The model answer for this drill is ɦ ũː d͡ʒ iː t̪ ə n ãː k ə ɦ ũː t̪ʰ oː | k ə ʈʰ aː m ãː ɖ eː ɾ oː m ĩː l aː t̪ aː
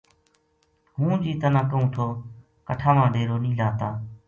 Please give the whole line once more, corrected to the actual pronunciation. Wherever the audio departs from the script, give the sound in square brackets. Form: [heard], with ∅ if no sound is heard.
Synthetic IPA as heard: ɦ ũː d͡ʒ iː t̪ ə n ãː k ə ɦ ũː t̪ʰ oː | k ə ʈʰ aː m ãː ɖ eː ɾ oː [n] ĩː l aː t̪ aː